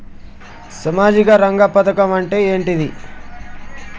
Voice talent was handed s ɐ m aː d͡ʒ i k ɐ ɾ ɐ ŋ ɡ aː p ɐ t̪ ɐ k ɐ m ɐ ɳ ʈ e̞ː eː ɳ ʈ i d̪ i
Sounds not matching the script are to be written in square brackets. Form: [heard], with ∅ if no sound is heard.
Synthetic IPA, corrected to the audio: s ɐ m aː d͡ʒ i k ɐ ɾ ɐ ŋ ɡ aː p ɐ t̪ ɐ k ɐ m ɐ ɳ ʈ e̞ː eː ɳ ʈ i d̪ i

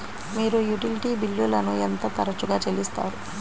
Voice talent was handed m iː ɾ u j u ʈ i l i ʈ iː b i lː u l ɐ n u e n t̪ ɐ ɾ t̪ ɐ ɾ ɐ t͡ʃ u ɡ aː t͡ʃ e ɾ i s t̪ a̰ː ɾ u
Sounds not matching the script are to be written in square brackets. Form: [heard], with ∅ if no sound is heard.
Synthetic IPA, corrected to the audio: m iː ɾ u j u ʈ i l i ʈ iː b i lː u l ɐ n u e n t̪ ɐ [∅] t̪ ɐ ɾ ɐ t͡ʃ u ɡ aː t͡ʃ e [l] i s t̪ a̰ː ɾ u

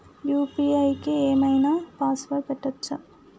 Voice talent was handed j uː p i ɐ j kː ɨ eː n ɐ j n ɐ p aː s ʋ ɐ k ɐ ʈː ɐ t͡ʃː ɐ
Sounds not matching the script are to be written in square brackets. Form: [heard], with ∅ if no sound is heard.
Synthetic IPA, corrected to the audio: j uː p i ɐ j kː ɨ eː [m] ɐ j n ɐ p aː s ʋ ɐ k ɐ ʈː ɐ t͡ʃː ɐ

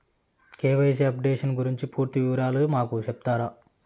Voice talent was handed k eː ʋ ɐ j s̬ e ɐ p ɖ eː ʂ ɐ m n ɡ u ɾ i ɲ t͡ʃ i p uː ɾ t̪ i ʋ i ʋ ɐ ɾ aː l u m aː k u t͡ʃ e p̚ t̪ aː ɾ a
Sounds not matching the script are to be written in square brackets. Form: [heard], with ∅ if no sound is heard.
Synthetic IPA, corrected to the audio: k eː ʋ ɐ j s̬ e ɐ p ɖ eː ʂ ɐ [∅] n ɡ u ɾ i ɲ t͡ʃ i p uː ɾ t̪ i ʋ i ʋ ɐ ɾ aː l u m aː k u t͡ʃ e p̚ t̪ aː ɾ a

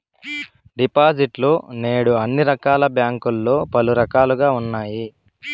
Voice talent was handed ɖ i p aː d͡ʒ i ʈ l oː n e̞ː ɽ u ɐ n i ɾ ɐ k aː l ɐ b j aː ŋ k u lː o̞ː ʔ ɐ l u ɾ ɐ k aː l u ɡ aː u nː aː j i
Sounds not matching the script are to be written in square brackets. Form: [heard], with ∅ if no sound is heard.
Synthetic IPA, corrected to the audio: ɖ i p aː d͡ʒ i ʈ l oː n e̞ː ɽ u ɐ [nː] i ɾ ɐ k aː l ɐ b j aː ŋ k u lː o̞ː [p] ɐ l u ɾ ɐ k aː l u ɡ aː u nː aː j i

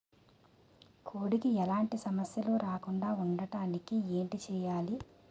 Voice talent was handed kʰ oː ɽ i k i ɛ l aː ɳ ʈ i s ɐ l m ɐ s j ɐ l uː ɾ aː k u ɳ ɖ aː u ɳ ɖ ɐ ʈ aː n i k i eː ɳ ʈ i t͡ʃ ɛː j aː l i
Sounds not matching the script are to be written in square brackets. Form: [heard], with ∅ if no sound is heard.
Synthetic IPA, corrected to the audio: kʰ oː ɽ i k i ɛ l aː ɳ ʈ i s ɐ [∅] m ɐ s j ɐ l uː ɾ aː k u ɳ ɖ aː u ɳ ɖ ɐ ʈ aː n i k i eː ɳ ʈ i t͡ʃ ɛː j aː l i

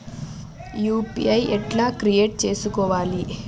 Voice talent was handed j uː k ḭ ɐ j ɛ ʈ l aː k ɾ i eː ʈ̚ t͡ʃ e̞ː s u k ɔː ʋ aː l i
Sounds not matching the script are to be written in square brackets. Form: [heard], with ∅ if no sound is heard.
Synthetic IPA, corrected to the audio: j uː [p] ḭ ɐ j ɛ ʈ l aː k ɾ i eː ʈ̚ t͡ʃ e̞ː s u k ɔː ʋ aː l i

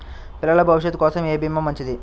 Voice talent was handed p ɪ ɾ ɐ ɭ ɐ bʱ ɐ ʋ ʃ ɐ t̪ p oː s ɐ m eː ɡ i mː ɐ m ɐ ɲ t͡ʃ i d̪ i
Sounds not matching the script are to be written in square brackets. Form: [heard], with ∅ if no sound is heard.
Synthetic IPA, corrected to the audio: p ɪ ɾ ɐ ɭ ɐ bʱ ɐ ʋ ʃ ɐ t̪ [k] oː s ɐ m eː [b] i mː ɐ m ɐ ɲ t͡ʃ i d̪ i

